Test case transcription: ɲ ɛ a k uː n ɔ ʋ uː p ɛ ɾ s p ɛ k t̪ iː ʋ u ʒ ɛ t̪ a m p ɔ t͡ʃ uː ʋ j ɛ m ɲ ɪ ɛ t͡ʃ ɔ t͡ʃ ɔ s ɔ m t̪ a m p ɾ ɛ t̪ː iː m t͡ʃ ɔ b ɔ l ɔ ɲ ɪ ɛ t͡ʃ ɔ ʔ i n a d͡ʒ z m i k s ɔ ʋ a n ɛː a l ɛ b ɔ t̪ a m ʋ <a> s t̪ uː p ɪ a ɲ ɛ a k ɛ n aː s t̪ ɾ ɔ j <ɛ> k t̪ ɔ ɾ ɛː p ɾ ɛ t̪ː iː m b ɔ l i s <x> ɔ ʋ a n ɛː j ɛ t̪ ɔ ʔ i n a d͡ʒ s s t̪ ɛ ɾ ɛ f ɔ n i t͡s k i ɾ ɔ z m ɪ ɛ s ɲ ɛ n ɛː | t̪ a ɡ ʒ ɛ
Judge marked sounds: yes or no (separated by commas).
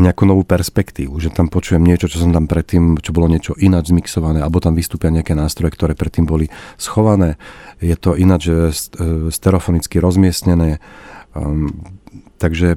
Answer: no, yes, yes